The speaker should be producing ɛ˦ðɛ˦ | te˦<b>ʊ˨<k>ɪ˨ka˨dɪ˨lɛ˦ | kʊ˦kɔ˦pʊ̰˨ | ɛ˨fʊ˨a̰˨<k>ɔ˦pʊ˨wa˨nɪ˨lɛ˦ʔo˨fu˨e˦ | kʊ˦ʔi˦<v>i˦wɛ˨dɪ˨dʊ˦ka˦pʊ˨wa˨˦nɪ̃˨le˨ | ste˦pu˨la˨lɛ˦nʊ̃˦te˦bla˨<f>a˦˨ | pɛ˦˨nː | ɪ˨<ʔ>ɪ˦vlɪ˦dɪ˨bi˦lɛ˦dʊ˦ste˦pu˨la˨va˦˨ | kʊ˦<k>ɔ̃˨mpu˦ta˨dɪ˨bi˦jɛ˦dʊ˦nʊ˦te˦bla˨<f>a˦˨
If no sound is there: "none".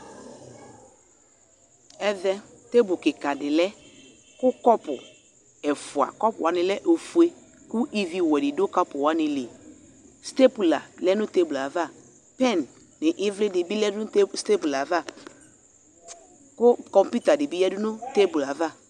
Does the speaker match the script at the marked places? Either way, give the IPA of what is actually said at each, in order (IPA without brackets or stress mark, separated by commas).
b, k, k, v, v, ʔ, k, v